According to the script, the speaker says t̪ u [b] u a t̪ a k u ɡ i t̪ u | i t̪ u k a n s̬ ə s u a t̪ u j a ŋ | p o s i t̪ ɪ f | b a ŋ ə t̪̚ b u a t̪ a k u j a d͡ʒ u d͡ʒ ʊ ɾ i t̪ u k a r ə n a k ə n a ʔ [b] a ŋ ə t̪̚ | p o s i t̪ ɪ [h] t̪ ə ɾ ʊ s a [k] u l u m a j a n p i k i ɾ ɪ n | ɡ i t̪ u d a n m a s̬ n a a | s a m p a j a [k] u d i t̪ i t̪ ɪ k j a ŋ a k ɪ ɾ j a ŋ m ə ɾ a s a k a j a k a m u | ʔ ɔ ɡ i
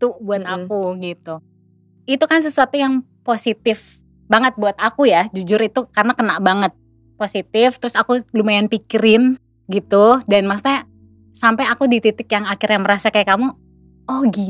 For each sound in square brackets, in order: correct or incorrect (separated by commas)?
correct, correct, incorrect, correct, correct